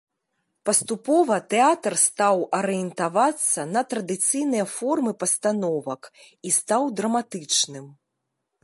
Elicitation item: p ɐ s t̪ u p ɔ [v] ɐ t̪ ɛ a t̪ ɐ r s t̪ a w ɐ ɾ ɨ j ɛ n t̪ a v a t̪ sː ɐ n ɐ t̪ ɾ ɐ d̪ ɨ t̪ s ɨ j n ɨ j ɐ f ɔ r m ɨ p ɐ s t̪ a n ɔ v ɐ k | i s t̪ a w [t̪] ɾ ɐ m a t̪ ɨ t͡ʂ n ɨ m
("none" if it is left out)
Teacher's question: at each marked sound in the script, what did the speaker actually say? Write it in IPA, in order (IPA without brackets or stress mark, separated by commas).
v, d̪